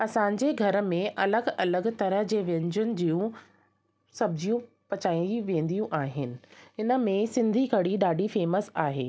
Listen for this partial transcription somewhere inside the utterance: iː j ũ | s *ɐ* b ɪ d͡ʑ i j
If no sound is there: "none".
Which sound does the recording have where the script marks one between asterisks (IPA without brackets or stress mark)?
ɐ